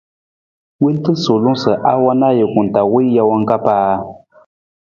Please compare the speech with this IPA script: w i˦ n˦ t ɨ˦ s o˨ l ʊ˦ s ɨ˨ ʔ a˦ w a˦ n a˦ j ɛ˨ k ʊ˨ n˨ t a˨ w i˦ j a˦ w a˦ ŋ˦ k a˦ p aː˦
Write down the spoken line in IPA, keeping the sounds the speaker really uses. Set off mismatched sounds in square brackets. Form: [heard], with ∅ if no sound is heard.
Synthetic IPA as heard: w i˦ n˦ t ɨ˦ s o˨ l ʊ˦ s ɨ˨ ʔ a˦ w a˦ n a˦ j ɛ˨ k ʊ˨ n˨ t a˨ w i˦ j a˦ w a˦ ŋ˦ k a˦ p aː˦